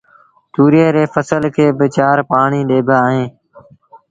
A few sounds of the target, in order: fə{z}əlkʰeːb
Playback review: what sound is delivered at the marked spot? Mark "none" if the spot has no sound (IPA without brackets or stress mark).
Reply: s